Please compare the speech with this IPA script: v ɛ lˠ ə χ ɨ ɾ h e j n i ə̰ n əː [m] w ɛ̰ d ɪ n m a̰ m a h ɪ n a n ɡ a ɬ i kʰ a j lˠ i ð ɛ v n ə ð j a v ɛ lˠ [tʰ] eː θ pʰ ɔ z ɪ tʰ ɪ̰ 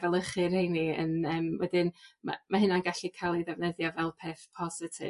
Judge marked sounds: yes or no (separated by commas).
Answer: yes, no